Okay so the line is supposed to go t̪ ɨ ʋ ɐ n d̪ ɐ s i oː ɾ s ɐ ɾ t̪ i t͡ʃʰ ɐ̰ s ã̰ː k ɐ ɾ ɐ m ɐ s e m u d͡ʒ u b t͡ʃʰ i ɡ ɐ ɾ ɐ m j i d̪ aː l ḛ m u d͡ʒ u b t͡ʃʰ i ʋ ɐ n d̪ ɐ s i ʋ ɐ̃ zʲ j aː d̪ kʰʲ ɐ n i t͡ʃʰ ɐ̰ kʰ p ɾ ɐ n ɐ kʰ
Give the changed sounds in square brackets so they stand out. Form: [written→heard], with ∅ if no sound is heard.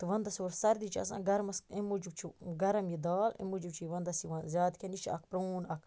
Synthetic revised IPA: t̪ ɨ ʋ ɐ n d̪ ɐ s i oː ɾ s ɐ ɾ [t̪→d̪] i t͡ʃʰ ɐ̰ s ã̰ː [k→ɡ] ɐ ɾ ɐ m ɐ s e m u d͡ʒ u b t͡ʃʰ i ɡ ɐ ɾ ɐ m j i d̪ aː l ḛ m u d͡ʒ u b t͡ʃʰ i ʋ ɐ n d̪ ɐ s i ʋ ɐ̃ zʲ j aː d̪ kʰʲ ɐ n i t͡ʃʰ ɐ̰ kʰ p ɾ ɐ n ɐ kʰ